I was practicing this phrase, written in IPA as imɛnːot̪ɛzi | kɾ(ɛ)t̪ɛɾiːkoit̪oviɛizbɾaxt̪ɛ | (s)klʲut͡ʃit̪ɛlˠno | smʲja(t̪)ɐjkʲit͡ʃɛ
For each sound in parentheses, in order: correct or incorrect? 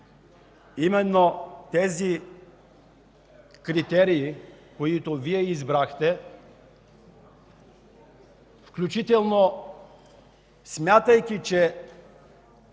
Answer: incorrect, incorrect, correct

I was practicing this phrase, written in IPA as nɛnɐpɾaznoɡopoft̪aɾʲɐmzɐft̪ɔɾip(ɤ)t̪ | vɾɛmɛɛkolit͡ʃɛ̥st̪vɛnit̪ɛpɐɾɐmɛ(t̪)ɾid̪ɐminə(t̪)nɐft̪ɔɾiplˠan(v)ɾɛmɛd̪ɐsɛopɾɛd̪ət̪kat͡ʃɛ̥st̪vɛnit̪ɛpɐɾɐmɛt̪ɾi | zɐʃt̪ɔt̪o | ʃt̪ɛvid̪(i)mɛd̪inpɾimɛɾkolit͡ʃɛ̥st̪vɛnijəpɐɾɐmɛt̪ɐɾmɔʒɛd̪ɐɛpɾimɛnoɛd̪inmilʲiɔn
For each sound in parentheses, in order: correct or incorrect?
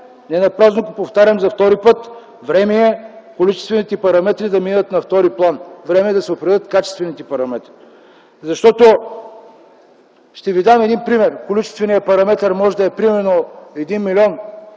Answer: correct, correct, correct, correct, incorrect

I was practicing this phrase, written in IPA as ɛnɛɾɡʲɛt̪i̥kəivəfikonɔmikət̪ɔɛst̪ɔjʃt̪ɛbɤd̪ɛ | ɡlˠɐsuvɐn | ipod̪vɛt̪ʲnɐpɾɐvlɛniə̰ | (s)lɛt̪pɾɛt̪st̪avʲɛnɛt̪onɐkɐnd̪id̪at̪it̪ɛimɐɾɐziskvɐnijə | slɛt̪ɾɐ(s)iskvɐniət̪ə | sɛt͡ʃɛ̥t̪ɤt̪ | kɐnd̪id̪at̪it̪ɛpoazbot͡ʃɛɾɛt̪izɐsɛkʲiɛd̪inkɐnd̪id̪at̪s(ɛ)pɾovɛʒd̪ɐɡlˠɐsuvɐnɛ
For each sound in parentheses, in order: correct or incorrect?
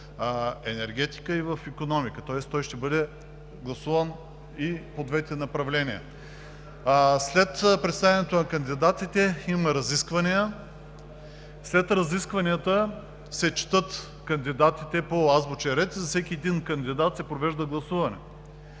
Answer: correct, incorrect, correct

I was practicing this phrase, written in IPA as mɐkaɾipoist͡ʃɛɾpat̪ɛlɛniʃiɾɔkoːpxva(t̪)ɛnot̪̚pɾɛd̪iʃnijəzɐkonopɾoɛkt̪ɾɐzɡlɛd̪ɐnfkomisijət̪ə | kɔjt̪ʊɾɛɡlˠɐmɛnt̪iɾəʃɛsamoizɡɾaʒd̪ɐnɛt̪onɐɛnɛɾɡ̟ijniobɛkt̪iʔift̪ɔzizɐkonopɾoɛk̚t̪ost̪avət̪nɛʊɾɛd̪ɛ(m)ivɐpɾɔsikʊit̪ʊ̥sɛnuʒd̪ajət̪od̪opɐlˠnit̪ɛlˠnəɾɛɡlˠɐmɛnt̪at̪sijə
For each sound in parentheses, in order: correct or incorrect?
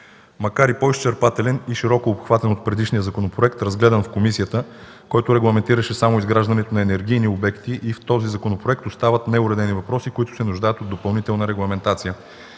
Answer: correct, incorrect

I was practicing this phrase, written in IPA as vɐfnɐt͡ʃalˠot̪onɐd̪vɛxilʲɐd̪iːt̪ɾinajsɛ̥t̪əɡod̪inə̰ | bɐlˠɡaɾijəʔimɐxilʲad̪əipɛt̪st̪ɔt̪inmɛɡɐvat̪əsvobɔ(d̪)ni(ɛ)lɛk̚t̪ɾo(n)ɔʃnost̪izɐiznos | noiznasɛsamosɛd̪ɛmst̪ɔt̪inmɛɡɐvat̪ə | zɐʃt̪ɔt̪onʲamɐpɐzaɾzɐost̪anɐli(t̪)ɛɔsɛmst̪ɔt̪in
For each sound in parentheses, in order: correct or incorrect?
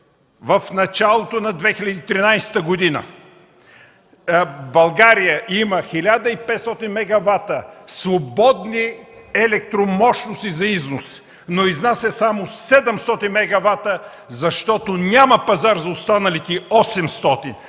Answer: correct, correct, incorrect, correct

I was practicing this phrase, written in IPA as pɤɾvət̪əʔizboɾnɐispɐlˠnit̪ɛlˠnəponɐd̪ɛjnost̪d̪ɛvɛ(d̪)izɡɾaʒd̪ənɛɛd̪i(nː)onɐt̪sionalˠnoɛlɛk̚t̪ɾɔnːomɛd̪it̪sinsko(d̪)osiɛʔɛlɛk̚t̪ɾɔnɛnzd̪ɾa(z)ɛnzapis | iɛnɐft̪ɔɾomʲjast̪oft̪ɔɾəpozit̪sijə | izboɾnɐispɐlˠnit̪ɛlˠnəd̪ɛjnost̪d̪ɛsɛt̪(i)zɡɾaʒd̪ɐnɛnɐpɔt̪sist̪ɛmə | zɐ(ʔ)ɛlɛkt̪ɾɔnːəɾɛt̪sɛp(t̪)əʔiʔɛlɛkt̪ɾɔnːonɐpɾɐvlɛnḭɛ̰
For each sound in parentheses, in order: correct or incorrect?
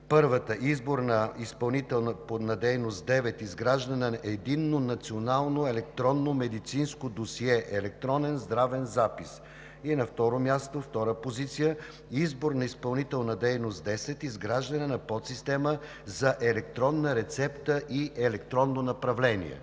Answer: incorrect, correct, correct, incorrect, correct, correct, correct

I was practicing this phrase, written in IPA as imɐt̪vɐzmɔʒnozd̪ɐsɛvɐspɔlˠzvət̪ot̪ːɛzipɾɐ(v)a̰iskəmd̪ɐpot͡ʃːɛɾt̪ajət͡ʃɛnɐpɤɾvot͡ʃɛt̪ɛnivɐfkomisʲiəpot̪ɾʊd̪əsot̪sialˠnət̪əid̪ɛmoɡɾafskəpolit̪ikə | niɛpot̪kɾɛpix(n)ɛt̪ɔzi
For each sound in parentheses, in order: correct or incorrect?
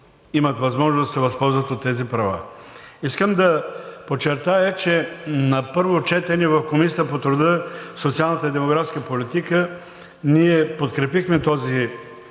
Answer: correct, incorrect

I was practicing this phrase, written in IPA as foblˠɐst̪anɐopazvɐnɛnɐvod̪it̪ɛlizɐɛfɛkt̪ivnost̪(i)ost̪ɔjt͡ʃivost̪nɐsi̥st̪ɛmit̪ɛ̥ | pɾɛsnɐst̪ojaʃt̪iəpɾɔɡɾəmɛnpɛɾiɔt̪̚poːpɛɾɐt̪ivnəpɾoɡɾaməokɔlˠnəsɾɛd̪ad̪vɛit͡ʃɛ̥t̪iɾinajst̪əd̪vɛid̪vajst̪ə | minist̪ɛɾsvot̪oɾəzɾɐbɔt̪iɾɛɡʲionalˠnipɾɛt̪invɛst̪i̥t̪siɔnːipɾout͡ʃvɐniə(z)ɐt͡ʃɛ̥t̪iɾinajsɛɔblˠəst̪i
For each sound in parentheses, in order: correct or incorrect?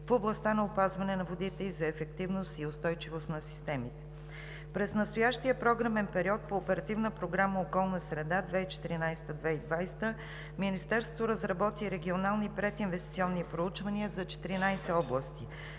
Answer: correct, correct

